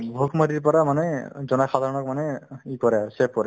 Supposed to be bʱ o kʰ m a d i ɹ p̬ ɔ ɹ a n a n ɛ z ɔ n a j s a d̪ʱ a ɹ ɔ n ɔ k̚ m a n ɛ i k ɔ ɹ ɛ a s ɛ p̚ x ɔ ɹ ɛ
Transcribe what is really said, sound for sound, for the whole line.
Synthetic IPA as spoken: bʱ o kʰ m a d i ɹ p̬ ɔ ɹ a m a n ɛ z ɔ n a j x a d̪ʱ a ɹ ɔ n ɔ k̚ m a n ɛ i k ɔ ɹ ɛ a s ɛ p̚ k ɔ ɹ ɛ

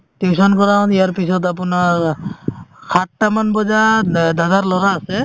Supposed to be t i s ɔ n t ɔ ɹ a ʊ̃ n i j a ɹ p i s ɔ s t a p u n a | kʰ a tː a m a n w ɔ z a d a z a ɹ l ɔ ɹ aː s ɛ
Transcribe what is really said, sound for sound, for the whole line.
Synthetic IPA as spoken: t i s ɔ n k ɔ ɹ a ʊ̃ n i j a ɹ p i s ɔ t a p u n a | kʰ a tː a m a n b ɔ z a d a z a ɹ l ɔ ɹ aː s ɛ

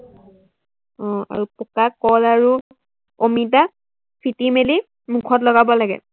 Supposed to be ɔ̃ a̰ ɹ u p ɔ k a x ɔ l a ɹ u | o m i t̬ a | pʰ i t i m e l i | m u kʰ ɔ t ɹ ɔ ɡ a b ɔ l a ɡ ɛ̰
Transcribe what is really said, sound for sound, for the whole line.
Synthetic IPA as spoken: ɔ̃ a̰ ɹ u p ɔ k a k ɔ l a ɹ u | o m i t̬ a | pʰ i t i m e l i | m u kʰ ɔ t l ɔ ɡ a b ɔ l a ɡ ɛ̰

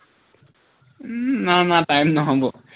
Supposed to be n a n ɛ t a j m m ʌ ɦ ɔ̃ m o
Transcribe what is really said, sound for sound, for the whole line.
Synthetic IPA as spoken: n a n a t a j m n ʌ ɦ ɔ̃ b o

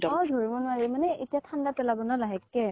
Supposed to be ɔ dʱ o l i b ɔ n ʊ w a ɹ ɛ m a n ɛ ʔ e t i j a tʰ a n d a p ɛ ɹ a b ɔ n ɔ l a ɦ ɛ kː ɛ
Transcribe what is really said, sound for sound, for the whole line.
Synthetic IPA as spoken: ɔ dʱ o ɹ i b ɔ n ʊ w a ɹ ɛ m a n ɛ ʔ e t i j a tʰ a n d a p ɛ l a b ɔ n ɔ l a ɦ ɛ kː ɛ

